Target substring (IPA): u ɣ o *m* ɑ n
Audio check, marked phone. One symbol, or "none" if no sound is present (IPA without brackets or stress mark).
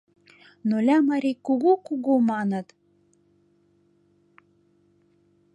m